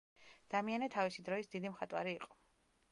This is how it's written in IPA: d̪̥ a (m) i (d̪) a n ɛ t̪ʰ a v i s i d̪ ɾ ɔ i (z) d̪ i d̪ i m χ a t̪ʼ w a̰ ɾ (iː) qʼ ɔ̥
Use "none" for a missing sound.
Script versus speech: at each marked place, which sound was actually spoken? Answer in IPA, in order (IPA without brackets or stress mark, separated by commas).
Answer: m, none, s, iː